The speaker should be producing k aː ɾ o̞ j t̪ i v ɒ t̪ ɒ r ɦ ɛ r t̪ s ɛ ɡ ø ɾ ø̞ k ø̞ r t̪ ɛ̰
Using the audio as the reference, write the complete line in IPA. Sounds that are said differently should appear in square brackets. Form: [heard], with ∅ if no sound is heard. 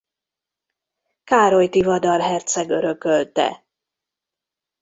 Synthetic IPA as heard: k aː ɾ o̞ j t̪ i v ɒ [d̪] ɒ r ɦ ɛ r t̪ s ɛ ɡ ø ɾ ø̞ k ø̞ [l] t̪ ɛ̰